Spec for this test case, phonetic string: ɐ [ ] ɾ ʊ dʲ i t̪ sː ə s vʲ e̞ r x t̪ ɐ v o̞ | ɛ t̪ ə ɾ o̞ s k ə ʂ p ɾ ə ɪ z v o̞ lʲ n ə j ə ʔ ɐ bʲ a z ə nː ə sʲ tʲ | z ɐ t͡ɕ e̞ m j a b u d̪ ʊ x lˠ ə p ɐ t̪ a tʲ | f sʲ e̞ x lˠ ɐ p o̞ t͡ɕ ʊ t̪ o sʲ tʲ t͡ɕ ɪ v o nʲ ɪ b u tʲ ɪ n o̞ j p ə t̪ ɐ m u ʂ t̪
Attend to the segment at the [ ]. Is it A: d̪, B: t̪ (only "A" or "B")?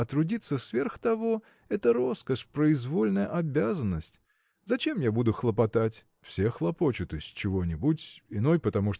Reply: B